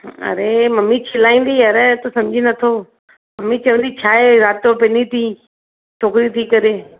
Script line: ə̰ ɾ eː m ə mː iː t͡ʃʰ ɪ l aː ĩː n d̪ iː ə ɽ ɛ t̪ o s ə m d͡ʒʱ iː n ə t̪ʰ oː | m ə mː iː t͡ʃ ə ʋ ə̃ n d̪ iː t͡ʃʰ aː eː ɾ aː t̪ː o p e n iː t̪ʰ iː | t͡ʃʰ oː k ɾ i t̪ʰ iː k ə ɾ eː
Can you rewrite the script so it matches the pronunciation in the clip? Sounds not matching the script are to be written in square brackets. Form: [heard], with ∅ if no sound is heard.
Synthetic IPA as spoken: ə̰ ɾ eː m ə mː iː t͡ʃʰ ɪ l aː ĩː n d̪ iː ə [ɾ] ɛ t̪ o s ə m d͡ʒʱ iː n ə t̪ʰ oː | m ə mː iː t͡ʃ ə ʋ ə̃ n d̪ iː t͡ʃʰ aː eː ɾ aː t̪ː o p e n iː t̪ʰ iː | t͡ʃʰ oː k ɾ i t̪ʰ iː k ə ɾ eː